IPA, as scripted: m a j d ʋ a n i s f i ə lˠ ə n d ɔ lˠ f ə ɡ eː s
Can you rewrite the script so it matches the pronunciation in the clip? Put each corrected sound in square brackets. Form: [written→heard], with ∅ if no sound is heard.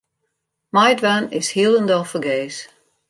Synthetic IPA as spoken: m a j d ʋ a n [i→ɪ] s [f→h] i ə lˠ ə n d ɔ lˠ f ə ɡ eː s